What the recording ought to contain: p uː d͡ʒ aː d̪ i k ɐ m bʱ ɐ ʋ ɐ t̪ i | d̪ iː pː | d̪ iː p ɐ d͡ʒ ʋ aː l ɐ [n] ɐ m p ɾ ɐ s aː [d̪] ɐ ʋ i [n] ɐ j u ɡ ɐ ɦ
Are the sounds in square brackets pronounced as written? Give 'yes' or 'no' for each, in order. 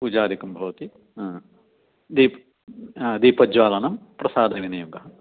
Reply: yes, yes, yes

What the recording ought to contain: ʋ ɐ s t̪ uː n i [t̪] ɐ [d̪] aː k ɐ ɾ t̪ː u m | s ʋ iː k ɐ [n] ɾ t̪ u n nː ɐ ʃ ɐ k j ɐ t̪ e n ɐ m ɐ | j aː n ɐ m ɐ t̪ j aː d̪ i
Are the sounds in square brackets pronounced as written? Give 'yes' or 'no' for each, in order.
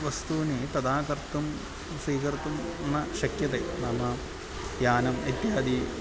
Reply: yes, yes, no

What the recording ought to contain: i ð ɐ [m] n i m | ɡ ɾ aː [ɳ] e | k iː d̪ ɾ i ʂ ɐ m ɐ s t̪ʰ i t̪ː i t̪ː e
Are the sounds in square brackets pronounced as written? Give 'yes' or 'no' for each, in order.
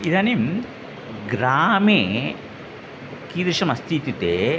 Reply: no, no

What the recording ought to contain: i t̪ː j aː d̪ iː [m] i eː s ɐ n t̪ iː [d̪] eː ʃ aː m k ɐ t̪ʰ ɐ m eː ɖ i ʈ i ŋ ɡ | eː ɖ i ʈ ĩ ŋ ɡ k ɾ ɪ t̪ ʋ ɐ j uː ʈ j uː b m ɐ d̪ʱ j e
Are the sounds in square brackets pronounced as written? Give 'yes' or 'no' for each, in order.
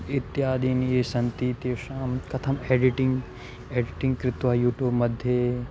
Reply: no, no

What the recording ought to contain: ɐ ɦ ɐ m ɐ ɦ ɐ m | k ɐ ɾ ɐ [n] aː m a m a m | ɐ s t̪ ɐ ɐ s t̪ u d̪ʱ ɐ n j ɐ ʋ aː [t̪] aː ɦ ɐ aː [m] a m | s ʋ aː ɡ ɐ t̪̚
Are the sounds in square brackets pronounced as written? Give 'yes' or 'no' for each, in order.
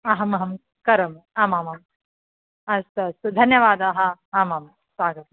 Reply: no, no, yes

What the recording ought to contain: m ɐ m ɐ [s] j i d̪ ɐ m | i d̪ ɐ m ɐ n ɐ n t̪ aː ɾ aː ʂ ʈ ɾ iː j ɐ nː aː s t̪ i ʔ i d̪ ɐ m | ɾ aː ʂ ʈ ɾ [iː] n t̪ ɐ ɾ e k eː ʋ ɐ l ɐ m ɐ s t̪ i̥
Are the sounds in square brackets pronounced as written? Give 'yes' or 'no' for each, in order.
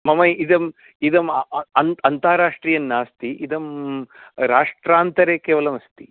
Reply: no, no

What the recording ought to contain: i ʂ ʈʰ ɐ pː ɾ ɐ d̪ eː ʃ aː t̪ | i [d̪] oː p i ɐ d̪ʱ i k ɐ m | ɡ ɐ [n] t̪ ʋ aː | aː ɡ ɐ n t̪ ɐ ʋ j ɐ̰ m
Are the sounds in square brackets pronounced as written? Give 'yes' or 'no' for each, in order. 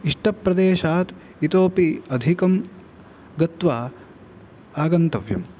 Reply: no, no

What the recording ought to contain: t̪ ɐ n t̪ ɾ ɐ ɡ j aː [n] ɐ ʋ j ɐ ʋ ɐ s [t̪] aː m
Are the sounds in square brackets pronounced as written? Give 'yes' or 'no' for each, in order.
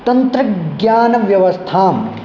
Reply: yes, no

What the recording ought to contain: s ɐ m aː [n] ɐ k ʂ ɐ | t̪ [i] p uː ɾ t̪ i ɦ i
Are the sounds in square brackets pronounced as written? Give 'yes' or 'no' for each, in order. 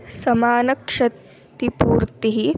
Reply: yes, yes

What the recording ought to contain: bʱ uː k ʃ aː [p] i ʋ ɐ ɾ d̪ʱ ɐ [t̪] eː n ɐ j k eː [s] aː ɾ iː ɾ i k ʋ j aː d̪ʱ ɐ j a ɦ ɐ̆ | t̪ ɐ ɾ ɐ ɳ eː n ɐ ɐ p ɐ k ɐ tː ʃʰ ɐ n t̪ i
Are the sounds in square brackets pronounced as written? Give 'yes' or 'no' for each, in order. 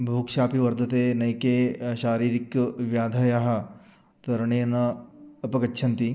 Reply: yes, yes, no

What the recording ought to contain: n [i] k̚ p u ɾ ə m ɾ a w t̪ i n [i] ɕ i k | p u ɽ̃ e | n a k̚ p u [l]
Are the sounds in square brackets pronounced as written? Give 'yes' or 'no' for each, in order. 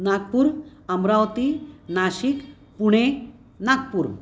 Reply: no, no, no

